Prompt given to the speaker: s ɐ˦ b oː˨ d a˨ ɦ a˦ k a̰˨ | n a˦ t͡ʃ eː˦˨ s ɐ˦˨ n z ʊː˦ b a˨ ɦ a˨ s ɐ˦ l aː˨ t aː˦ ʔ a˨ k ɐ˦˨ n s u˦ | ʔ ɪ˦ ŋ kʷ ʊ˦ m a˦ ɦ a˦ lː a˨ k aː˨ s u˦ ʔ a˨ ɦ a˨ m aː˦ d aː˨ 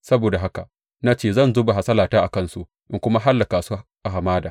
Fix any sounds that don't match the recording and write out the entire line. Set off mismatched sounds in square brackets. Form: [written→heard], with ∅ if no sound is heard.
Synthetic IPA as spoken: s ɐ˦ b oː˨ d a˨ ɦ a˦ k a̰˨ | n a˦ t͡ʃ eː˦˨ [s→z] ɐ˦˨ n z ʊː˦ b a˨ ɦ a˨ s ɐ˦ l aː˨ t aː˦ ʔ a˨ k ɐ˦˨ n s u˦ | ʔ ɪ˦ ŋ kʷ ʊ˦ m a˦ ɦ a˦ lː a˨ k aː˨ s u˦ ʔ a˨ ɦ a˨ m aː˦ d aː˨

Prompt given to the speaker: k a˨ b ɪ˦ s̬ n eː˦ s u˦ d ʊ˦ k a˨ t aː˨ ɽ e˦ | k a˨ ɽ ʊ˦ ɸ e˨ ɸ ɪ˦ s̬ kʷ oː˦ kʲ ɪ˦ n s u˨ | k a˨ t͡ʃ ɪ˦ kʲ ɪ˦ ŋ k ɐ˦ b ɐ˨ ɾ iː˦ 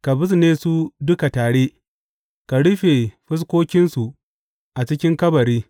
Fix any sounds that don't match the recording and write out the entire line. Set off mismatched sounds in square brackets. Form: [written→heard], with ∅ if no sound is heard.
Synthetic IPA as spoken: k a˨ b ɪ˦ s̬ n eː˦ s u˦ d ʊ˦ k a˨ t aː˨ ɽ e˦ | k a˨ ɽ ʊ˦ ɸ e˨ ɸ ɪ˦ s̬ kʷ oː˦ kʲ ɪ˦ n s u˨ | [k→ʔ] a˨ t͡ʃ ɪ˦ kʲ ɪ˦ ŋ k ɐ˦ b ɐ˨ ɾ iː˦

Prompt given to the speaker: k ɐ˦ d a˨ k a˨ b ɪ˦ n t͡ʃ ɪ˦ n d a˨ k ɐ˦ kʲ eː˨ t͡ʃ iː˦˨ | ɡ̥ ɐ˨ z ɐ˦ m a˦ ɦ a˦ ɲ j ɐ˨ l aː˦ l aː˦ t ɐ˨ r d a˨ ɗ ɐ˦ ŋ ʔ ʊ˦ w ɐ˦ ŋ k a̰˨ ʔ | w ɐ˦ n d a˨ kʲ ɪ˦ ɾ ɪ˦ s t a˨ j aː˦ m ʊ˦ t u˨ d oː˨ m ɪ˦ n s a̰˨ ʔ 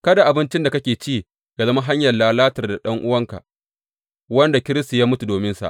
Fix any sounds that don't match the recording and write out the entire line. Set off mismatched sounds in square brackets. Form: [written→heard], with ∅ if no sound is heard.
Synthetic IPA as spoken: k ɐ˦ d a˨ [k→ʔ] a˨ b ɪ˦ n t͡ʃ ɪ˦ n d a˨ k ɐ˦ kʲ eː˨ t͡ʃ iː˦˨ | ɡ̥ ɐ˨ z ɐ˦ m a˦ ɦ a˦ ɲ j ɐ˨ l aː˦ l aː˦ t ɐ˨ r d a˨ ɗ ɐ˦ ŋ ʔ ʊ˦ w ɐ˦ ŋ k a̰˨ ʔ | w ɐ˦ n d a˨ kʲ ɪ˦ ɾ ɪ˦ s t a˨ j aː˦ m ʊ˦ t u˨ d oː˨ m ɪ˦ n s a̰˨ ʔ

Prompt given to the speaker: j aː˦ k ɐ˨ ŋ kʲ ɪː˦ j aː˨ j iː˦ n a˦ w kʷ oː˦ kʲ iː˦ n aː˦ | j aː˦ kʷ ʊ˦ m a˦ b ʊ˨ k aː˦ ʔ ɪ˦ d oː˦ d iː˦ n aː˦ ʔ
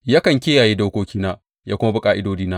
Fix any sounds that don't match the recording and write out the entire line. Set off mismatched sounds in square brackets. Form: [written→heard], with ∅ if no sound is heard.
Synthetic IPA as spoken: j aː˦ k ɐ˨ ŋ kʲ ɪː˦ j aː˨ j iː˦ [n→d] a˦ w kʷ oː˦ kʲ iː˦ n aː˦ | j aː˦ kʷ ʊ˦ m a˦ b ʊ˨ [k→kʼ] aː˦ ʔ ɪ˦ d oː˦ d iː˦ n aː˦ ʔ

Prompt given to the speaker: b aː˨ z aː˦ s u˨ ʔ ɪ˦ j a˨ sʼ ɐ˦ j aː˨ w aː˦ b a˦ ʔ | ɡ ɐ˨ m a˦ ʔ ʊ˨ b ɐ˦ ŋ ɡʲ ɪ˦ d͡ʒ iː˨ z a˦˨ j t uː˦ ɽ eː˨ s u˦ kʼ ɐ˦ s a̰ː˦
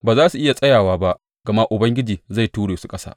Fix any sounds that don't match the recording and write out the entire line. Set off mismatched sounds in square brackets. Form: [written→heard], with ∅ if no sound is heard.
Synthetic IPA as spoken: b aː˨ z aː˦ s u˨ ʔ ɪ˦ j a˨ sʼ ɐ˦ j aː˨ w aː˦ b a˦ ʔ | ɡ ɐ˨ m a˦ ʔ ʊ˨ b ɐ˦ ŋ ɡʲ ɪ˦ d͡ʒ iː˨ z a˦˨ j t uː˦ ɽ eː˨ s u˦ kʼ ɐ˦ s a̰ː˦

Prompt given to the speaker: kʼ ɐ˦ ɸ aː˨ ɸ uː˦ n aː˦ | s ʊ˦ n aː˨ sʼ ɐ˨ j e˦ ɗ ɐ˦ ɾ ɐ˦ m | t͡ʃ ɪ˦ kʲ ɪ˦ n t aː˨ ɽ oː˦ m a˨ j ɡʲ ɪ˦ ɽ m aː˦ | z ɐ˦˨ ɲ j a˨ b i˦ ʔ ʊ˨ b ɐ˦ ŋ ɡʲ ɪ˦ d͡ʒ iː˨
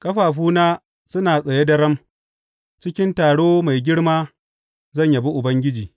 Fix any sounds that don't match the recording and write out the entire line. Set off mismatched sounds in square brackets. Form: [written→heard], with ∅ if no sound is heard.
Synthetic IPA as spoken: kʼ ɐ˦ ɸ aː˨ ɸ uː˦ n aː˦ | s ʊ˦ n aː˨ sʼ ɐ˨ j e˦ [ɗ→d] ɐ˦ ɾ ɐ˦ m | t͡ʃ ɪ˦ kʲ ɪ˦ n t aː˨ ɽ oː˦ m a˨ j ɡʲ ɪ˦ ɽ m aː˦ | z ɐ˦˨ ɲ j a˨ b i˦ ʔ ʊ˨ b ɐ˦ ŋ ɡʲ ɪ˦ d͡ʒ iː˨

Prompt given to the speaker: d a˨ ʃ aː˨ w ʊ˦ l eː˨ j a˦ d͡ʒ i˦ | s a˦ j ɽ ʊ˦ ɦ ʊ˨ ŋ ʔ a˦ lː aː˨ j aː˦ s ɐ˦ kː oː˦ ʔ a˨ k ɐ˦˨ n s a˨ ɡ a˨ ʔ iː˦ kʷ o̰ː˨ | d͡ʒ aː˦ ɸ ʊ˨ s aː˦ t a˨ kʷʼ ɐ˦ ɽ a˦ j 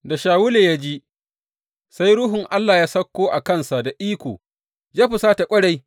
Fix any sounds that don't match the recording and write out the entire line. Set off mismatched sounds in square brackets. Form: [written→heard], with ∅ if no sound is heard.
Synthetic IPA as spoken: d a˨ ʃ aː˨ w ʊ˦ l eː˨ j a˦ d͡ʒ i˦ | s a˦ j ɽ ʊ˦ ɦ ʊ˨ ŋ ʔ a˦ lː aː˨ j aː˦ s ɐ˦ kː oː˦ ʔ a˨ k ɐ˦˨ n s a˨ [ɡ→d] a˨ ʔ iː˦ kʷ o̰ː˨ | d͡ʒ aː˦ ɸ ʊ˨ s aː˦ t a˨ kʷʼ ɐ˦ ɽ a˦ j

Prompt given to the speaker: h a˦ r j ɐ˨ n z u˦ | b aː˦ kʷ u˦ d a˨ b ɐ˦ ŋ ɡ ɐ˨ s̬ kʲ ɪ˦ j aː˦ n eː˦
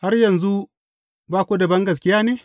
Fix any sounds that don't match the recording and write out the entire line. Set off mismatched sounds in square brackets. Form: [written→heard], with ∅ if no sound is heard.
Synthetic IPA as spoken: h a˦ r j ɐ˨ n z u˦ | b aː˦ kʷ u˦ d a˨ b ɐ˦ ŋ ɡ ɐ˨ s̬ kʲ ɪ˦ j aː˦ n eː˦

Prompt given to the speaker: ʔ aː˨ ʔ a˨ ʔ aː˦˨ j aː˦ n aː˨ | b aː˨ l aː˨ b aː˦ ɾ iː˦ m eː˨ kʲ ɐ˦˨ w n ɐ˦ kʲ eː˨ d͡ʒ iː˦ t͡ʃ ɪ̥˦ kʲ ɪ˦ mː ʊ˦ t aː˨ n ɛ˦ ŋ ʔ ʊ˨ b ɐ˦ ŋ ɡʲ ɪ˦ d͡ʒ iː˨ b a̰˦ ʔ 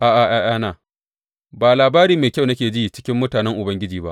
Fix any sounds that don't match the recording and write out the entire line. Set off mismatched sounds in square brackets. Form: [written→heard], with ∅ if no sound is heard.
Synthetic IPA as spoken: ʔ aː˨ ʔ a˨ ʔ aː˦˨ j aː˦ n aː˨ | b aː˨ l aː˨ b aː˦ ɾ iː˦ m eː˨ kʲ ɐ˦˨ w n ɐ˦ kʲ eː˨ d͡ʒ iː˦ t͡ʃ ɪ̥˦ kʲ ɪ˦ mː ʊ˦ t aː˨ n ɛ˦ ŋ ʔ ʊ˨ b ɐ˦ ŋ ɡʲ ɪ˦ d͡ʒ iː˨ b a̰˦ ʔ

